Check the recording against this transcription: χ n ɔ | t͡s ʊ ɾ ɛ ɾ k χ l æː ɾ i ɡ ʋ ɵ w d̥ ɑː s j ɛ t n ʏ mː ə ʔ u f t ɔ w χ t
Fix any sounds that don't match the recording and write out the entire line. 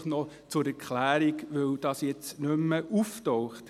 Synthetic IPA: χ n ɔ | t͡s ʊ ɾ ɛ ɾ k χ l æː ɾ i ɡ ʋ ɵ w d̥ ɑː s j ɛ t͡s n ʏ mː ə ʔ u f t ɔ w χ t